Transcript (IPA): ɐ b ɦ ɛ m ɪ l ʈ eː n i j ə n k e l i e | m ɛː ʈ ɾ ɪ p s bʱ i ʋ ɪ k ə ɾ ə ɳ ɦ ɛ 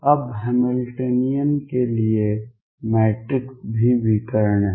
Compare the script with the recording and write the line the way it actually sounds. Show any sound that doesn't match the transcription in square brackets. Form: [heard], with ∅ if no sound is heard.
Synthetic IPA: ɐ b ɦ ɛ m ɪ l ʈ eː n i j ə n k e l i e | m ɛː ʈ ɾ ɪ [k] s bʱ i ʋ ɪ k ə ɾ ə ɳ ɦ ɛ